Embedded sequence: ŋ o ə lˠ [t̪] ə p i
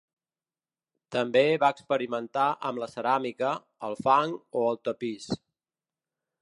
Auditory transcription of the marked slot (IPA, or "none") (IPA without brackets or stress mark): t̪